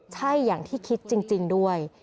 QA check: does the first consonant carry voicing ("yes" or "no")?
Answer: no